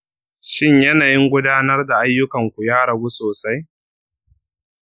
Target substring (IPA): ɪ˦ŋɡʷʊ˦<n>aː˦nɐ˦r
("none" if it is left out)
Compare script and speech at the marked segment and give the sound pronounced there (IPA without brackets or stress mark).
d